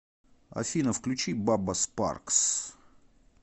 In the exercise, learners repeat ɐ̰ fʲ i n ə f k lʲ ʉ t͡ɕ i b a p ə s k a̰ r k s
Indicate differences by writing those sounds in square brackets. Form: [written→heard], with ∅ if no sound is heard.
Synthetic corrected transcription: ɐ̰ fʲ i n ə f k lʲ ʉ t͡ɕ i b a [p→b] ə s [k→p] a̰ r k s

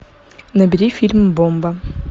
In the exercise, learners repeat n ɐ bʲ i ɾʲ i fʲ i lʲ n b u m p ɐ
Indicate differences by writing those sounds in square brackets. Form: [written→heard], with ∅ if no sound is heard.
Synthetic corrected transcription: n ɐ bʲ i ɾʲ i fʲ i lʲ [n→m] b [u→o] m [p→b] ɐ

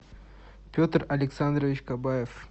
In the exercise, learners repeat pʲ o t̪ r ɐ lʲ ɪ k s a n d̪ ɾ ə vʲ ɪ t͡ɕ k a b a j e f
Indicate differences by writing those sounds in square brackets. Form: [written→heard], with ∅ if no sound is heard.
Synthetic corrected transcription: pʲ o t̪ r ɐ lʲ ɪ k s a n d̪ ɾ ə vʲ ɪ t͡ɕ k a b a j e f

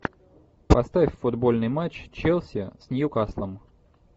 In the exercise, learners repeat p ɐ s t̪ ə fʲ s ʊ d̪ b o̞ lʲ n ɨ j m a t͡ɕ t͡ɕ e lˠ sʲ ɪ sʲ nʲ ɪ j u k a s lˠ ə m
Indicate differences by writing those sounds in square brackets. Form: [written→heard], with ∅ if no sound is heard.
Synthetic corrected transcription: p ɐ s t̪ [ə→a] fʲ [s→f] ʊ d̪ b o̞ lʲ n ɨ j m a t͡ɕ t͡ɕ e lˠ sʲ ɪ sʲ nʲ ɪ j u k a s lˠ ə m

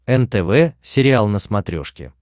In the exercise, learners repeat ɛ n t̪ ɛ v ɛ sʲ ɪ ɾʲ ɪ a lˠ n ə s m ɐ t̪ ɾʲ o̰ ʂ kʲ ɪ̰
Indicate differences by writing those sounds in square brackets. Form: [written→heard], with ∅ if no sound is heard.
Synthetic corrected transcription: ɛ n t̪ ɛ v ɛ sʲ ɪ ɾʲ ɪ a lˠ n ə s m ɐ t̪ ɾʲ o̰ ʂ kʲ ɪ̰

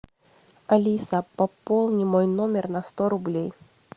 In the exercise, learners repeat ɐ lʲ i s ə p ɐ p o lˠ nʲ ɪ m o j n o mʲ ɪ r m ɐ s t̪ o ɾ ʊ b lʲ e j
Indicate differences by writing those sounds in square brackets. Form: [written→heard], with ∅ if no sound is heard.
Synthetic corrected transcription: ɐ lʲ i s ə p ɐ p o lˠ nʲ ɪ m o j n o mʲ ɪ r [m→n] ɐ s t̪ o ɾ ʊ b lʲ e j

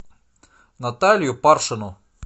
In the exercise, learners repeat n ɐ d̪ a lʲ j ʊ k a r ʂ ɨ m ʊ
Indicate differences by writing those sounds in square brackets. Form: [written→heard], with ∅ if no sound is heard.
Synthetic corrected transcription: n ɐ [d̪→t̪] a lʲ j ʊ [k→p] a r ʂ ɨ [m→n] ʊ

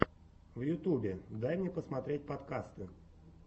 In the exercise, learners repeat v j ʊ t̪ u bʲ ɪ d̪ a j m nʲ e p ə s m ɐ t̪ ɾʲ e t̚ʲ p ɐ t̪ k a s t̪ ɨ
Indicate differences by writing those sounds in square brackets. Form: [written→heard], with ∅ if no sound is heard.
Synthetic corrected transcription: v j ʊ t̪ u bʲ ɪ d̪ a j m nʲ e p ə s m ɐ t̪ ɾʲ e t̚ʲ p ɐ t̪ k a s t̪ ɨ

